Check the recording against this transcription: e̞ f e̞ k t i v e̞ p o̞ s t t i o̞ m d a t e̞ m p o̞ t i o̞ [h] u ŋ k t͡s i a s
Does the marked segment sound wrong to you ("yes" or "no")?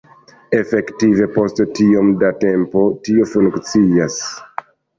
yes